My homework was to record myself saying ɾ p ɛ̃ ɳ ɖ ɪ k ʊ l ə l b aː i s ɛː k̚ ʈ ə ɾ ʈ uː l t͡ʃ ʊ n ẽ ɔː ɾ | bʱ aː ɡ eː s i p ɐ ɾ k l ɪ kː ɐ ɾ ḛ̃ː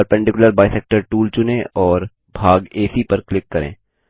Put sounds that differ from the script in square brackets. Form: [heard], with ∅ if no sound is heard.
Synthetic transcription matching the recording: ɾ p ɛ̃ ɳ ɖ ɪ k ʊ l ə [ɾ] b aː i s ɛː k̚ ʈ ə ɾ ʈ uː l t͡ʃ ʊ n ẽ ɔː ɾ | bʱ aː ɡ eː s i p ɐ ɾ k l ɪ kː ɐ ɾ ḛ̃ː